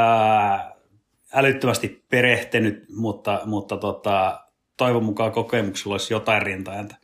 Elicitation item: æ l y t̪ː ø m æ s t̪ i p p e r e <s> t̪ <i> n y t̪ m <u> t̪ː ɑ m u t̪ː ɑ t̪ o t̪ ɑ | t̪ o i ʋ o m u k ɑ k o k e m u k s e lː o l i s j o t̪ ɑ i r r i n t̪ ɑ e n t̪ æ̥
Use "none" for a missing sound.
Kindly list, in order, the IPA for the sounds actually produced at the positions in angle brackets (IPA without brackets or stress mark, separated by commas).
h, e, u